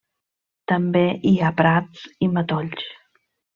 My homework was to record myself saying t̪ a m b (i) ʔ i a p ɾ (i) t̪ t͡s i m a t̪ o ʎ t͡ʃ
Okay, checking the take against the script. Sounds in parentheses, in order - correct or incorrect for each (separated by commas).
incorrect, incorrect